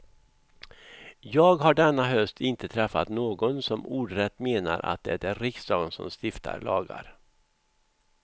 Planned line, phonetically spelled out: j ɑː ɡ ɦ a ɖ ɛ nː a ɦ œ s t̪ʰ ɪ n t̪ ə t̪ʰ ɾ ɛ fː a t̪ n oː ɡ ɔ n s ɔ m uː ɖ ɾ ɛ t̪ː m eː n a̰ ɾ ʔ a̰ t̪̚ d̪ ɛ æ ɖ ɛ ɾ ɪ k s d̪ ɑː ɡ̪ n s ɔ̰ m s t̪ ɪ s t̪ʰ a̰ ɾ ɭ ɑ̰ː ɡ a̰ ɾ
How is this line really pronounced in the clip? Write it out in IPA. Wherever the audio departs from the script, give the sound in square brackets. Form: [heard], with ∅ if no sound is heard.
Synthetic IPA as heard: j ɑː ɡ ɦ a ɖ ɛ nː a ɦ œ s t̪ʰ ɪ n t̪ ə t̪ʰ ɾ ɛ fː a t̪ n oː ɡ ɔ n s ɔ m uː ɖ ɾ ɛ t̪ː m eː n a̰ ɾ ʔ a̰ t̪̚ d̪ ɛ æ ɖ ɛ ɾ ɪ k s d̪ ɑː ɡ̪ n s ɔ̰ m s t̪ ɪ [f] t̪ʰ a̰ ɾ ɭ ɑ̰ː ɡ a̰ ɾ